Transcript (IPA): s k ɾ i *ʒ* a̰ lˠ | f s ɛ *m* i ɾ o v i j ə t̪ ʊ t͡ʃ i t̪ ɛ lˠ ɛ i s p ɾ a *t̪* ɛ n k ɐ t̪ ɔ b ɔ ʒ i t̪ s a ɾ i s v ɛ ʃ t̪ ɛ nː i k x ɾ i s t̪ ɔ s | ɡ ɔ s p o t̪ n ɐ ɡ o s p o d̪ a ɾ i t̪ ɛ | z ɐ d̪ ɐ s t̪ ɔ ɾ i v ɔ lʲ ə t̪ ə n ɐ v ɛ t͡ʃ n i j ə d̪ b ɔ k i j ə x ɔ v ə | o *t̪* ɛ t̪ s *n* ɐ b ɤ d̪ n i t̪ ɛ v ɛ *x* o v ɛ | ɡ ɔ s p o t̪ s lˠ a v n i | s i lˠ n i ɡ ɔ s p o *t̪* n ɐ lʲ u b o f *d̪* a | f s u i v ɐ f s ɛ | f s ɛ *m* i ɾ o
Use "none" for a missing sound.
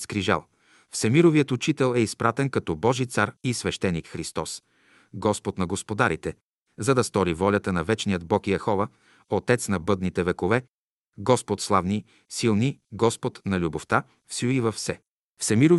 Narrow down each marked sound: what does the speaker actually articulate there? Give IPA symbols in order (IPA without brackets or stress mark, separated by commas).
ʒ, m, t̪, t̪, n, k, t̪, t̪, m